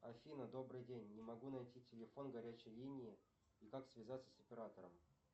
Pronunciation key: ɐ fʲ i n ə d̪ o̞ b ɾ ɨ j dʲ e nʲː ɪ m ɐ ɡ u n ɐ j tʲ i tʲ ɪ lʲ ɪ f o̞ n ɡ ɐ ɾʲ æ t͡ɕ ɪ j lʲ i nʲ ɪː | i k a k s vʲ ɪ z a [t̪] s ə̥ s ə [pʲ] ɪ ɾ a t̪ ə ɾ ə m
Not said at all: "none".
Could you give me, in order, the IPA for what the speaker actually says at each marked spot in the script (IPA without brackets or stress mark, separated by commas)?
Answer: t̪, pʲ